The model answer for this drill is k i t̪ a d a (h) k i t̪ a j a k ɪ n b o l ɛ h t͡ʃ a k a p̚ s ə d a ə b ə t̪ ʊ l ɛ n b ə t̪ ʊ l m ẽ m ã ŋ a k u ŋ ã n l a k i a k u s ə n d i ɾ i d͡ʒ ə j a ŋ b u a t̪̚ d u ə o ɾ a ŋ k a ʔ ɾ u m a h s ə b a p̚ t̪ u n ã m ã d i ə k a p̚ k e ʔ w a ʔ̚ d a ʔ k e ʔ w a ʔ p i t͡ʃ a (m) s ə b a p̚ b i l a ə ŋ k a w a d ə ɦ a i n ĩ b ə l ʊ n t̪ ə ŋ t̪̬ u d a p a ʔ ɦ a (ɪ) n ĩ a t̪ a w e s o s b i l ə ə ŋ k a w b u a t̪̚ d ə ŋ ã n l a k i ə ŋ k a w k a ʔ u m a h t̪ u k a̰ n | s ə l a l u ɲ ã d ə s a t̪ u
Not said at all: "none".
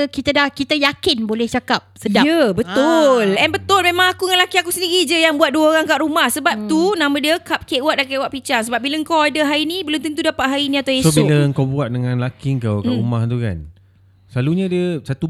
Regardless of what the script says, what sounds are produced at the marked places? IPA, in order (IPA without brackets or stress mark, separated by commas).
h, ŋ, i